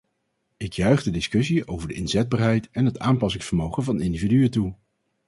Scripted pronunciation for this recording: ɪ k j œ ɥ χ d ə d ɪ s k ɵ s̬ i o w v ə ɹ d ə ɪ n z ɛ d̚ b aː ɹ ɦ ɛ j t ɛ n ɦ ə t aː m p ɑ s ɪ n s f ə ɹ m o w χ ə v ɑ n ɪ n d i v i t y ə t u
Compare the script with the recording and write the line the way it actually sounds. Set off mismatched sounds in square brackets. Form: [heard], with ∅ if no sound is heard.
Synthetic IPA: ɪ k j œ ɥ χ d ə d ɪ s k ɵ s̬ i o w v ə ɹ d ə ɪ n z ɛ d̚ b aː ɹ ɦ ɛ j t ɛ n ɦ ə t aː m p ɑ s ɪ [ŋ] s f ə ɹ m o w χ ə v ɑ n ɪ n d i v i [d] y ə t u